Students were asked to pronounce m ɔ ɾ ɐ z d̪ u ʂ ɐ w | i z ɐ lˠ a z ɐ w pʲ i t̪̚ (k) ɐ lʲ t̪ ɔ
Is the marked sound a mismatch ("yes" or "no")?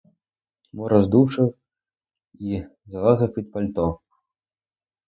yes